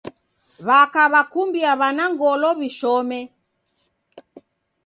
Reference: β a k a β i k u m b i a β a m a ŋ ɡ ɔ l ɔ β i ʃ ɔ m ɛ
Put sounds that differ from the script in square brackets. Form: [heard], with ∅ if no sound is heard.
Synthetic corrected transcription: β a k a β [a] k u m b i a β a [n] a ŋ ɡ ɔ l ɔ β i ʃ ɔ m ɛ